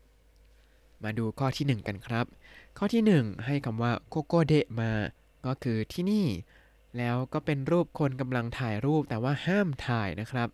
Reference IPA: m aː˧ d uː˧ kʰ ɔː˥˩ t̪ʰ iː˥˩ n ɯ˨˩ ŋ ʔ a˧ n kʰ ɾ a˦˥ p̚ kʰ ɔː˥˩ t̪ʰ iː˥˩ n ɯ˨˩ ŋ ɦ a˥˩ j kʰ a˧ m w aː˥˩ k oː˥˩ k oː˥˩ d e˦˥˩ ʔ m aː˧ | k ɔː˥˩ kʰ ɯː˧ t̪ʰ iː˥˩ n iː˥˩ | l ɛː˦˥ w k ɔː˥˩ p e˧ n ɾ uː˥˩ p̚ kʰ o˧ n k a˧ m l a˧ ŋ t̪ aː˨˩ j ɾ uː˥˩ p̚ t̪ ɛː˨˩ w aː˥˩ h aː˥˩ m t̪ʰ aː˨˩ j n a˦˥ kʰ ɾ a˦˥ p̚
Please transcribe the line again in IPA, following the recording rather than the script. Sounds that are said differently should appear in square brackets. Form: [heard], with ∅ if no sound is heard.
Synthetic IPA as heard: m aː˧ d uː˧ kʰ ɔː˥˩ t̪ʰ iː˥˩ n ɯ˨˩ ŋ [k] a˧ n kʰ ɾ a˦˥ p̚ kʰ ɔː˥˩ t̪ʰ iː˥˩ n ɯ˨˩ ŋ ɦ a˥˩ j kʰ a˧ m w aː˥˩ k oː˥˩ k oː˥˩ d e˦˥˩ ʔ m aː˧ | k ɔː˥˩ kʰ ɯː˧ t̪ʰ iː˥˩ n iː˥˩ | l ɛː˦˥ w k ɔː˥˩ p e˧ n ɾ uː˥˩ p̚ kʰ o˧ n k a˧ m l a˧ ŋ [t̪ʰ] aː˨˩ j ɾ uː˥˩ p̚ t̪ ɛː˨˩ w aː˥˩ h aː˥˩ m t̪ʰ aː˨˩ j n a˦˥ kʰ ɾ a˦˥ p̚